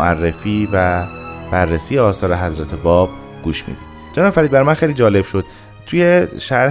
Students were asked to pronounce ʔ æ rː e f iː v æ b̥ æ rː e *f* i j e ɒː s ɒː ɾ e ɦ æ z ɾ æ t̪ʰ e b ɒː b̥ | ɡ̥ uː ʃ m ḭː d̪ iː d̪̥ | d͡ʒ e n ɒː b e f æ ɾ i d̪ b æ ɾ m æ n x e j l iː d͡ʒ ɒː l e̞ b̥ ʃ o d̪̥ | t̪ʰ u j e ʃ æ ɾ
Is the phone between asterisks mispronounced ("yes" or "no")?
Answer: yes